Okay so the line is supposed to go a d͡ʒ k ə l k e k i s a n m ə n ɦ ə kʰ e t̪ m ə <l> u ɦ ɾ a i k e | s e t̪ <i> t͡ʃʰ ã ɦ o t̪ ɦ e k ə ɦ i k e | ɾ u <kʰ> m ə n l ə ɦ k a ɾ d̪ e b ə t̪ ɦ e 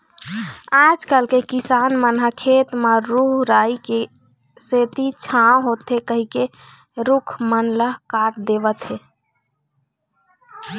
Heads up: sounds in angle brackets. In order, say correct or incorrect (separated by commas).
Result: incorrect, correct, correct